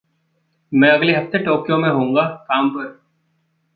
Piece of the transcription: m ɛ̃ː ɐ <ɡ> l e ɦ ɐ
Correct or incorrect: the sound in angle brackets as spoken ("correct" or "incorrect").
correct